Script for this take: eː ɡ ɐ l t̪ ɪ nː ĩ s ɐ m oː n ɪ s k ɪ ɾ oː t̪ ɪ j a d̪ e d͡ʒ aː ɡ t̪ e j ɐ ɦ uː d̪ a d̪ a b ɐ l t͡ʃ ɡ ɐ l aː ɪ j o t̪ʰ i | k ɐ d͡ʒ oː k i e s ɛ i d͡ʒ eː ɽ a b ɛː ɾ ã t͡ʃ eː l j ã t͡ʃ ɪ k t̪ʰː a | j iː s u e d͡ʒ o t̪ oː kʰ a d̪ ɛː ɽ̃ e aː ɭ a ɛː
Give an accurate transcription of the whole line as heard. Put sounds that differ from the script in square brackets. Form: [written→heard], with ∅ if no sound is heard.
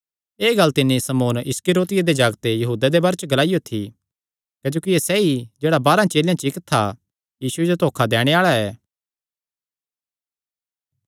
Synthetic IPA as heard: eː ɡ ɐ l t̪ ɪ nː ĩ s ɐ m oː n ɪ s k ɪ ɾ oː t̪ ɪ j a d̪ e d͡ʒ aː ɡ t̪ e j ɐ ɦ uː d̪ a d̪ [a→e] b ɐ [l→ɾ] t͡ʃ ɡ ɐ l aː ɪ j o t̪ʰ i | k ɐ d͡ʒ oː k i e s ɛ i d͡ʒ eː ɽ a b [ɛː→aː] ɾ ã t͡ʃ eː l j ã t͡ʃ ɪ k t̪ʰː a | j iː s u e d͡ʒ o t̪ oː kʰ a d̪ ɛː ɽ̃ e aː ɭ a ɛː